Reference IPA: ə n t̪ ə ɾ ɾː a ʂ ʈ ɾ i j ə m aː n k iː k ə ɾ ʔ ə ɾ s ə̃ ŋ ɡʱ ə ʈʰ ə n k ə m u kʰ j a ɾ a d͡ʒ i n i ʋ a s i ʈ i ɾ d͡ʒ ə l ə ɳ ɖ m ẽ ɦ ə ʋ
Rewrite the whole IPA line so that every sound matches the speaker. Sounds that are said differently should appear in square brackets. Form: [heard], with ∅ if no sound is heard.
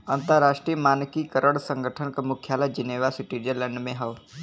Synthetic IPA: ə n t̪ ə ɾ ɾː a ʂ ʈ ɾ i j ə m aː n k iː k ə ɾ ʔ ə [ɽ] s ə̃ ŋ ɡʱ ə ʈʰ ə n k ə m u kʰ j a [l] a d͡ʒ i n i ʋ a s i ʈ i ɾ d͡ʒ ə l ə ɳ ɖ m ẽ ɦ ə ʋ